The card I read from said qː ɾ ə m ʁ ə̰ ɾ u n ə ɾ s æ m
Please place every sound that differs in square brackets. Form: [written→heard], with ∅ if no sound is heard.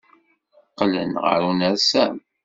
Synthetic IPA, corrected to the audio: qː [ɾ→l] ə [m→n] ʁ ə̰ ɾ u n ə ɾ s æ m